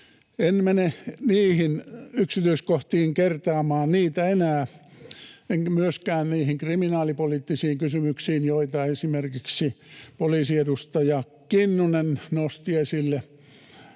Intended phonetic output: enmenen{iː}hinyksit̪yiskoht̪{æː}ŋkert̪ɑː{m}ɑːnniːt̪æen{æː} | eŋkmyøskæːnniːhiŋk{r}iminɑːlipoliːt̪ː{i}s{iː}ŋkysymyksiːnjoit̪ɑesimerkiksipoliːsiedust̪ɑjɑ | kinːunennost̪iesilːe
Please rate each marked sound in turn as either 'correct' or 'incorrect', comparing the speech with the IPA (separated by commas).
correct, incorrect, correct, correct, correct, correct, correct